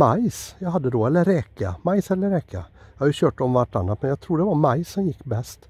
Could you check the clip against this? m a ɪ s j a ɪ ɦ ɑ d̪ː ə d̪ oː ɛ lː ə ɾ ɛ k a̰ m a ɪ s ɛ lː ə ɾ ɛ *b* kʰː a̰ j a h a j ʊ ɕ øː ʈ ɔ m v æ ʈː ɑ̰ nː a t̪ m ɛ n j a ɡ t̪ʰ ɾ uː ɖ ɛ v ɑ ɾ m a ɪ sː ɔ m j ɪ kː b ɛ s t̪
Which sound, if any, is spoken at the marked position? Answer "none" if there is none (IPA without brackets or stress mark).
none